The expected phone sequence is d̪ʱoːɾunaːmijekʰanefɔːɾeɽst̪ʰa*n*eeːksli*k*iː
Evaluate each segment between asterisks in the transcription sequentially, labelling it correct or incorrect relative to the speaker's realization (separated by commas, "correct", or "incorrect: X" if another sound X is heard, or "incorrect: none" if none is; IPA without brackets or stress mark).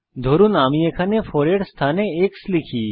correct, incorrect: kʰ